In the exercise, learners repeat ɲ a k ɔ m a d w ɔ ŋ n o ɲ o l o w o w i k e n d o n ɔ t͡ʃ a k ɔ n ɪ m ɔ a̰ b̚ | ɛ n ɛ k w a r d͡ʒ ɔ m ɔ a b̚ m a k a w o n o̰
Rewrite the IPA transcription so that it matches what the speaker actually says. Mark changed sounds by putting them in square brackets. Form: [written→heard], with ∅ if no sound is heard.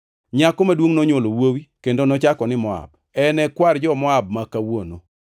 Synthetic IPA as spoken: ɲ a k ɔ m a d w [ɔ→o] ŋ n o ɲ o l o w o w i k e n d o n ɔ t͡ʃ a k ɔ n ɪ m ɔ a̰ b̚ | ɛ n ɛ k w a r d͡ʒ ɔ m ɔ a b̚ m a k a w o n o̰